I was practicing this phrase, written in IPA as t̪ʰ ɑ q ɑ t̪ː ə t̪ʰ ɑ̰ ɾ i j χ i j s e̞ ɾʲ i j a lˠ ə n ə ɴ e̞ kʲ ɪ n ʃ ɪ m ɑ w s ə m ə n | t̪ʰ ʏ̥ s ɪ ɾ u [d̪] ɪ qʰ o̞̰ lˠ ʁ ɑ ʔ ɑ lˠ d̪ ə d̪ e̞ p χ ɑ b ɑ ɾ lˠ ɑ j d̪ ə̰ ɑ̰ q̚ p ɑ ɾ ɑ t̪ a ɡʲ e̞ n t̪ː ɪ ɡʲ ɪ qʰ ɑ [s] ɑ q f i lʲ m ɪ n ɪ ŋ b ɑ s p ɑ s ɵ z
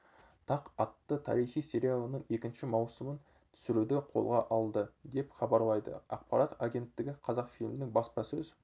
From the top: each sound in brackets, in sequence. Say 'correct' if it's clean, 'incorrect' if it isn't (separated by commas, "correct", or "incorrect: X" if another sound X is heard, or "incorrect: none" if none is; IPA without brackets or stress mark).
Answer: correct, incorrect: z